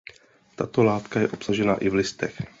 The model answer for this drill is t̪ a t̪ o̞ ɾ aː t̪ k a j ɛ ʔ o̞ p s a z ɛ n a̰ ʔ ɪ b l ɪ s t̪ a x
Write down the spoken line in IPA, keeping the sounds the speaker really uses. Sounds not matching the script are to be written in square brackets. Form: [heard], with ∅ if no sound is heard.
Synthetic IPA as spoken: t̪ a t̪ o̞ [l] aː t̪ k a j ɛ ʔ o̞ p s a [ʒ] ɛ n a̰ ʔ ɪ [v] l ɪ s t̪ [ɛ] x